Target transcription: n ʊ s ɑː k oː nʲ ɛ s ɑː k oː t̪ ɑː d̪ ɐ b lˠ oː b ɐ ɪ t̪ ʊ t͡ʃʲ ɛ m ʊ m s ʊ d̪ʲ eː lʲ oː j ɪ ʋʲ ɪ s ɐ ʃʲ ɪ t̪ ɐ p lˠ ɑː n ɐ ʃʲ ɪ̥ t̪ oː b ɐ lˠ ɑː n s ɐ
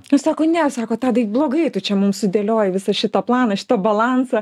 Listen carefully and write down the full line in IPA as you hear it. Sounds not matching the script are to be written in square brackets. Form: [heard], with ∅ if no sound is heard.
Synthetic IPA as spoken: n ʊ s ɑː k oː nʲ ɛ s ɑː k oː t̪ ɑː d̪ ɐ b lˠ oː [ɡ] ɐ ɪ t̪ ʊ t͡ʃʲ ɛ m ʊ m s ʊ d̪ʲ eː lʲ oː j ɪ ʋʲ ɪ s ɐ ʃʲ ɪ t̪ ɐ p lˠ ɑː n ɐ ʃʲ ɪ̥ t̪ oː b ɐ lˠ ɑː n s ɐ

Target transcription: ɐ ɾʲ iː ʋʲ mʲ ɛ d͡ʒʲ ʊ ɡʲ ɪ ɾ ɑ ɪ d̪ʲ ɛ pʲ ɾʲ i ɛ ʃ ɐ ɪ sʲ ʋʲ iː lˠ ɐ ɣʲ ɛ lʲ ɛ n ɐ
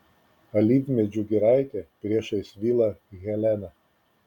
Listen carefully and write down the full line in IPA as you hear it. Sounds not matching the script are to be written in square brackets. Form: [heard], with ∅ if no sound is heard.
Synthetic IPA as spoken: ɐ [lʲ] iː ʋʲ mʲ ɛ d͡ʒʲ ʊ ɡʲ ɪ ɾ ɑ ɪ [t̪ʲ] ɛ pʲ ɾʲ i ɛ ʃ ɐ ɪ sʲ ʋʲ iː lˠ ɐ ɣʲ ɛ lʲ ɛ n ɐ

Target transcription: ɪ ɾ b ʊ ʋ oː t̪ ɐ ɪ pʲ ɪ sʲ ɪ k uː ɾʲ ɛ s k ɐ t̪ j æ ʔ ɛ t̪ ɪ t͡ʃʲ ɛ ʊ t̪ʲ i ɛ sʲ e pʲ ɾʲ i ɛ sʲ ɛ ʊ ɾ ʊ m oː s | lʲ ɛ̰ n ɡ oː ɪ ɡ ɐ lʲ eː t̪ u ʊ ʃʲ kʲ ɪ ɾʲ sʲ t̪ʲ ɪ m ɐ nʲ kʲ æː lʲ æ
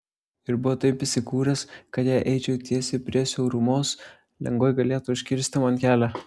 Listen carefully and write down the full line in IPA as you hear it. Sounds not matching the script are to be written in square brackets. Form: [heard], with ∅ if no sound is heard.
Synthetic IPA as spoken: ɪ ɾ b ʊ ʋ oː t̪ ɐ ɪ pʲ ɪ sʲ ɪ k uː ɾʲ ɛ s k ɐ t̪ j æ ʔ ɛ [∅] ɪ t͡ʃʲ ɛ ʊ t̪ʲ i ɛ sʲ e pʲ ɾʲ i ɛ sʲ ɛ ʊ ɾ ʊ m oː s | lʲ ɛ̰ [ŋ] ɡ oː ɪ ɡ ɐ lʲ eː t̪ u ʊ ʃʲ kʲ ɪ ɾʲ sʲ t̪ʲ ɪ m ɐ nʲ kʲ æː lʲ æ

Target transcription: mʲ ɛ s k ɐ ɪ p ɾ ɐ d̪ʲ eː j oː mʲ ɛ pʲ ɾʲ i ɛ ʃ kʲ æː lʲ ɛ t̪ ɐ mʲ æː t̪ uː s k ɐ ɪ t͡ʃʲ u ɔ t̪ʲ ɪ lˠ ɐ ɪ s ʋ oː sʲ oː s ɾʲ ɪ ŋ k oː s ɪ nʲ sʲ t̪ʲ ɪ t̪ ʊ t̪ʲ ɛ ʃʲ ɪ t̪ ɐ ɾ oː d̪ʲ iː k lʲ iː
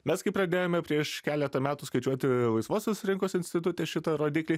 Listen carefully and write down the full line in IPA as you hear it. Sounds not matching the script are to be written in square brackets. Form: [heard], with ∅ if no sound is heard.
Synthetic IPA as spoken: mʲ ɛ s k ɐ ɪ p ɾ ɐ d̪ʲ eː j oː mʲ ɛ pʲ ɾʲ i ɛ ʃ kʲ æː lʲ ɛ t̪ ɐ mʲ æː t̪ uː s k ɐ ɪ t͡ʃʲ u ɔ t̪ʲ ɪ lˠ ɐ ɪ s ʋ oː sʲ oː s ɾʲ ɪ ŋ k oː s ɪ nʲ sʲ t̪ʲ ɪ t̪ ʊ t̪ʲ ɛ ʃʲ ɪ t̪ ɐ ɾ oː d̪ʲ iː k lʲ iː

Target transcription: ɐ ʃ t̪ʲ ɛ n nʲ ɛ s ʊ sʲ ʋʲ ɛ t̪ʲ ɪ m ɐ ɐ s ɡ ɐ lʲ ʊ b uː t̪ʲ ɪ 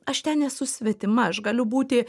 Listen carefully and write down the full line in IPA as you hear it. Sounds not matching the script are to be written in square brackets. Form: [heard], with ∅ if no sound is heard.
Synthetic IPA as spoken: ɐ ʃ t̪ʲ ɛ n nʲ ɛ s ʊ sʲ ʋʲ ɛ t̪ʲ ɪ m ɐ ɐ [ʃ] ɡ ɐ lʲ ʊ b uː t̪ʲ ɪ

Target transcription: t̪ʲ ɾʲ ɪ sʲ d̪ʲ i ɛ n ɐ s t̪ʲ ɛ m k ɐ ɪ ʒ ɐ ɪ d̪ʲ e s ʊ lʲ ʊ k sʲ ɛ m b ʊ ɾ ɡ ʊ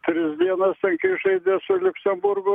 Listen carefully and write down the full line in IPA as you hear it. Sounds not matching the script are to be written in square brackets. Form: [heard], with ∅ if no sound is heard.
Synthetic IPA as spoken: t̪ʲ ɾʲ ɪ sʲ d̪ʲ i ɛ n ɐ s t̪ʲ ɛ [ŋ] k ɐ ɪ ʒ ɐ ɪ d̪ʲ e s ʊ lʲ ʊ k sʲ ɛ m b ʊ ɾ ɡ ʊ

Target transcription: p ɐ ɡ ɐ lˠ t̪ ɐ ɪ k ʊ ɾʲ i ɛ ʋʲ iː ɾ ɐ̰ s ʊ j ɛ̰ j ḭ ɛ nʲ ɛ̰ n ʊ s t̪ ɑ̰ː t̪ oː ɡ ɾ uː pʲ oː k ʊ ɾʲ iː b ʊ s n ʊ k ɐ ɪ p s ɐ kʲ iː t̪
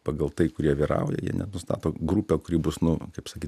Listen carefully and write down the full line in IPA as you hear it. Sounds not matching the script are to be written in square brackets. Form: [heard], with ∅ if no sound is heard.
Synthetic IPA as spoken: p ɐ ɡ ɐ lˠ t̪ ɐ ɪ k ʊ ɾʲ i ɛ ʋʲ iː ɾ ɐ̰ [∅] ʊ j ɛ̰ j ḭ ɛ nʲ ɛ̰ n ʊ s t̪ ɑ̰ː t̪ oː ɡ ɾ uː pʲ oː k ʊ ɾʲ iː b ʊ s n ʊ k ɐ ɪ p s ɐ kʲ iː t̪

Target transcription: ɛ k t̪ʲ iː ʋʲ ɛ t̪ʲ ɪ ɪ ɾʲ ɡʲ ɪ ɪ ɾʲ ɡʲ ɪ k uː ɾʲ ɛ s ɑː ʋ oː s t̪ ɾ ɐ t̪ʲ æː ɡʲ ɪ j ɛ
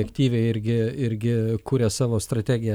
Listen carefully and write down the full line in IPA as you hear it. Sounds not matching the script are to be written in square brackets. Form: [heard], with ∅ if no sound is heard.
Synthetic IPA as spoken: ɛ k t̪ʲ iː ʋʲ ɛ [∅] ɪ ɪ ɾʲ ɡʲ ɪ ɪ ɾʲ ɡʲ ɪ k uː ɾʲ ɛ s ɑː ʋ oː s t̪ ɾ ɐ t̪ʲ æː ɡʲ ɪ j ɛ

